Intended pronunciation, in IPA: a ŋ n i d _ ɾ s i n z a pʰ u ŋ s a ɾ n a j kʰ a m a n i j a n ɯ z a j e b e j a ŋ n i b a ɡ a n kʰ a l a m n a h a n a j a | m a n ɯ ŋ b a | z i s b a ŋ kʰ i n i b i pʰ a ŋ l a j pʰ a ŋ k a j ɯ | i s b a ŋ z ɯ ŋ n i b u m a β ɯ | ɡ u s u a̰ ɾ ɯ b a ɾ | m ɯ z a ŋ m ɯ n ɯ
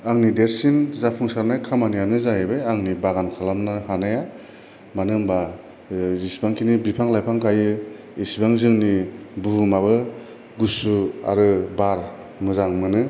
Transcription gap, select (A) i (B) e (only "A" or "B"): B